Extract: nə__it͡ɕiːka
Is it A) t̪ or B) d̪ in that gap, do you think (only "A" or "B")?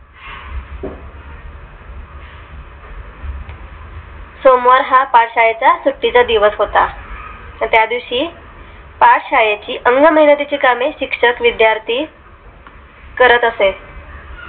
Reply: A